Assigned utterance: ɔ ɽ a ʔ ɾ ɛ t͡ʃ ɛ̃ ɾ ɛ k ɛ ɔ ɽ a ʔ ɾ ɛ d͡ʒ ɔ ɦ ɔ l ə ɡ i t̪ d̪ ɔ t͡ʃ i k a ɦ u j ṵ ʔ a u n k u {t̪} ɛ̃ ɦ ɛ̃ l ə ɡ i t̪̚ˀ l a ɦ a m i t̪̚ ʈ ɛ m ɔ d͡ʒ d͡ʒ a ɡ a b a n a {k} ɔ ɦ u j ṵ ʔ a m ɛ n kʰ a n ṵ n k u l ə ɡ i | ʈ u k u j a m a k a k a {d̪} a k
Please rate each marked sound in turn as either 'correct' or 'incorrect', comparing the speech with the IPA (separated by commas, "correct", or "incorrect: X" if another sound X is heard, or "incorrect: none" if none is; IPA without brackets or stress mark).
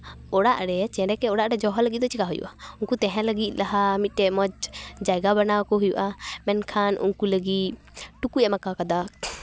correct, correct, correct